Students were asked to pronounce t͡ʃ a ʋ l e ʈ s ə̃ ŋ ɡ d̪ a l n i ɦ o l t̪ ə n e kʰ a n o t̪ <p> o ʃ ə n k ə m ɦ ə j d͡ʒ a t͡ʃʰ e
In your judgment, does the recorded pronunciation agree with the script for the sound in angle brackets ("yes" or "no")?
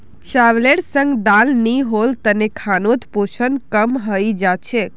yes